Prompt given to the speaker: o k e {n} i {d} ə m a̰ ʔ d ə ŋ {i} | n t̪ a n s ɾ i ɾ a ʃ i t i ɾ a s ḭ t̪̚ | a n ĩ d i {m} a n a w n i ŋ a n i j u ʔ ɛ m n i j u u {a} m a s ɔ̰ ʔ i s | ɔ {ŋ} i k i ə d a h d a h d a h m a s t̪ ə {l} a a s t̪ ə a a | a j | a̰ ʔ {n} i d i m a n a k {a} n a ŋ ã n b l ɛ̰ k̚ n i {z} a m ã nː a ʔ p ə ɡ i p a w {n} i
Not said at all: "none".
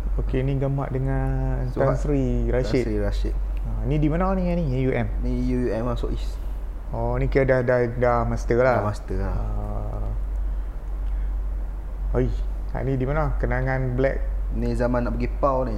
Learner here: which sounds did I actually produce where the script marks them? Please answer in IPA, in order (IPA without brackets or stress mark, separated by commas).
n, ɡ, a, m, ɛ, n, l, n, ə, z, n